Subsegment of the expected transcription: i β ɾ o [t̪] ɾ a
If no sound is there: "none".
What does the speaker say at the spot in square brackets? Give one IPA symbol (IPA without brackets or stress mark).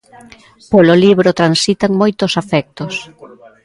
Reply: t̪